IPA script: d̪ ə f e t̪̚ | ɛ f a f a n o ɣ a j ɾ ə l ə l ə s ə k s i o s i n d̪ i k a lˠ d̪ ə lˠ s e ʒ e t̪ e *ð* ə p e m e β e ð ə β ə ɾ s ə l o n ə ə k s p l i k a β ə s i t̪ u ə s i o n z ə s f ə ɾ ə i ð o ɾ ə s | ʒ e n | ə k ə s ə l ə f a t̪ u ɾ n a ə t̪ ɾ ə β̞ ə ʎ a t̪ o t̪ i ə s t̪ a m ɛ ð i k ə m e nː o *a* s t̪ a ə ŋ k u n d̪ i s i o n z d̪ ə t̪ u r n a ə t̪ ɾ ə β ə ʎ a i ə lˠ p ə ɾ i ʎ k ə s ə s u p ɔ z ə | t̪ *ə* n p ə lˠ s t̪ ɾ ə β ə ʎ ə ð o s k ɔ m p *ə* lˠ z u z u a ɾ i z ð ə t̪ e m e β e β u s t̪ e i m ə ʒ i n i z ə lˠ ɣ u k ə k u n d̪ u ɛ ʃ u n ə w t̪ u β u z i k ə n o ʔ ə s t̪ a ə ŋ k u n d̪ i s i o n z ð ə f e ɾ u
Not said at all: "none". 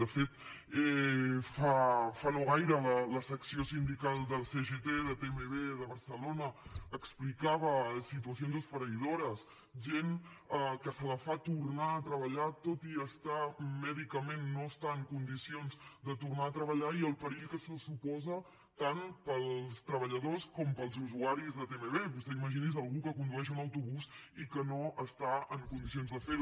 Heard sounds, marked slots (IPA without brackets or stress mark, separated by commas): ð, ə, a, ə